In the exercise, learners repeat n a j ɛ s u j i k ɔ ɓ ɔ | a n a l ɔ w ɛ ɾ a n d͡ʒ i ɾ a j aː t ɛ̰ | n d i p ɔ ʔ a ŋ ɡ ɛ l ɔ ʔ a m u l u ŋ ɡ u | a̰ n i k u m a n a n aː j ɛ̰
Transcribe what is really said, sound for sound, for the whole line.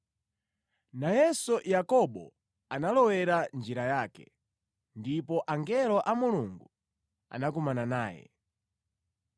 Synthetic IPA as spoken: n a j ɛ s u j a k ɔ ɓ ɔ | a n a l ɔ w ɛ ɾ a n d͡ʒ i ɾ a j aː k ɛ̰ | n d i p ɔ ʔ a ŋ ɡ ɛ l ɔ ʔ a m u l u ŋ ɡ u | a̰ n a k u m a n a n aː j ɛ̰